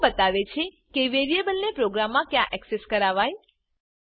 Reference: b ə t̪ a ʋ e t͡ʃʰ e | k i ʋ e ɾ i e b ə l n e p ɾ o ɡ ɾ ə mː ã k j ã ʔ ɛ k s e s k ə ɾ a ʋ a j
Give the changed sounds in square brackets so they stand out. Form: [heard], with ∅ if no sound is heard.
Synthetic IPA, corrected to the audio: b ə t̪ a ʋ e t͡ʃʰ e | k [e] ʋ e ɾ i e b ə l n e p ɾ o ɡ ɾ [a] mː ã k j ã ʔ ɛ k s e s k ə ɾ a ʋ a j